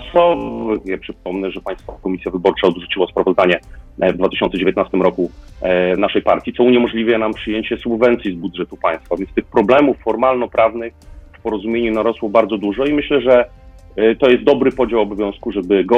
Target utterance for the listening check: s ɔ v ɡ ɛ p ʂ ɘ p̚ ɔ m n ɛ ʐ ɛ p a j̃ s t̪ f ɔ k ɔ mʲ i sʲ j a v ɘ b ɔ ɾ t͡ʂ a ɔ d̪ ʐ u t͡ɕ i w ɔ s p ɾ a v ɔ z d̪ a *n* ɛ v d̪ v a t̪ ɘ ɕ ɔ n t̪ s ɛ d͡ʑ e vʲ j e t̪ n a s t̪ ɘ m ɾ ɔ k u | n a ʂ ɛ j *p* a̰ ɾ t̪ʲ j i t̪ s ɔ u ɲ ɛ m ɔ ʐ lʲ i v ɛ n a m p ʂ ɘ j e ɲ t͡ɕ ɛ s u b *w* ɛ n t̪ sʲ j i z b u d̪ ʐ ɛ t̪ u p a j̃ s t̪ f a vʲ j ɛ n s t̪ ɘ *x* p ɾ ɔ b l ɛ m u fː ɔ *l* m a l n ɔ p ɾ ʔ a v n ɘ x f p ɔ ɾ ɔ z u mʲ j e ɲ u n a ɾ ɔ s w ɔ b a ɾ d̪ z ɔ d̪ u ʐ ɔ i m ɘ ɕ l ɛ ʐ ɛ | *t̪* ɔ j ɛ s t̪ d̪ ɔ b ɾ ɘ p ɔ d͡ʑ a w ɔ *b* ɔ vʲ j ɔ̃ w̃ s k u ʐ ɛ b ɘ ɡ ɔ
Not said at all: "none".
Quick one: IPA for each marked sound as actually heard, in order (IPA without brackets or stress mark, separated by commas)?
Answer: ɲ, p, v, x, ɾ, t̪, b